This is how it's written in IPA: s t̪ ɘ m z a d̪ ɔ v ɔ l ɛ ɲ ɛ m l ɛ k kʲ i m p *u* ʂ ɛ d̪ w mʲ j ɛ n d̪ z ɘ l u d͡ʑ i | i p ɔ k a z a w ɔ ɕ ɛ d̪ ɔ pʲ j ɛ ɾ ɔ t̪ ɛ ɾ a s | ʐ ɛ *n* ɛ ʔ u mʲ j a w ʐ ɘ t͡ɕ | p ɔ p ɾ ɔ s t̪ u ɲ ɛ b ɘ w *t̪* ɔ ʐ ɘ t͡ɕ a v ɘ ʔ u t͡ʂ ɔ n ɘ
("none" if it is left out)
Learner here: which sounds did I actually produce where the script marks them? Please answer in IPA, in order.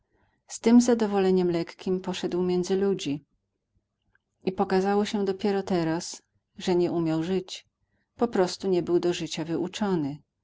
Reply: ɔ, ɲ, d̪

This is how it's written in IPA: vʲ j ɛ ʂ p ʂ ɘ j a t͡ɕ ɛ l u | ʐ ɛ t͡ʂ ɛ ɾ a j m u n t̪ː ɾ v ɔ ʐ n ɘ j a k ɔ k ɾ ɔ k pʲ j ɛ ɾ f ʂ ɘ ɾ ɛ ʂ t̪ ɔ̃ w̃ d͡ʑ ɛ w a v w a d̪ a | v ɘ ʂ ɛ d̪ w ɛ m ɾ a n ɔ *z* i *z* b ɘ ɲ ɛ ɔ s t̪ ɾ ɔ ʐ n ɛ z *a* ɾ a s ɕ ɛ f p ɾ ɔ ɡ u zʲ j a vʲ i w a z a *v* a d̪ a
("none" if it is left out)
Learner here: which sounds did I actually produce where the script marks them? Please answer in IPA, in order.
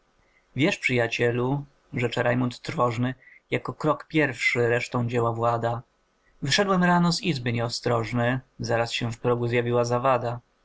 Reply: z, z, a, v

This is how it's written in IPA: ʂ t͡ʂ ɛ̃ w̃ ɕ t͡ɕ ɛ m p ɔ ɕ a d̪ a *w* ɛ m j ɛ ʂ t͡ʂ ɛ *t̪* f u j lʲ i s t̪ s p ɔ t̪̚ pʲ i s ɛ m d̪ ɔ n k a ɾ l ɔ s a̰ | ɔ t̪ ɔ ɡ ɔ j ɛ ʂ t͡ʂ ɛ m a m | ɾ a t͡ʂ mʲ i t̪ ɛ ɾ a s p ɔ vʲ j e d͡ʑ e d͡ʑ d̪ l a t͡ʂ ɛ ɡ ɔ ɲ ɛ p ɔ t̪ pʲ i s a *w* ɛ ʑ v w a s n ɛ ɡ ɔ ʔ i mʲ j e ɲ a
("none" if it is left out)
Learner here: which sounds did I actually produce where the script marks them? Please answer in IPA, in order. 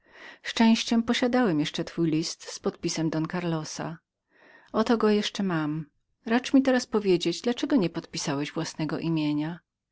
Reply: w, t̪, w

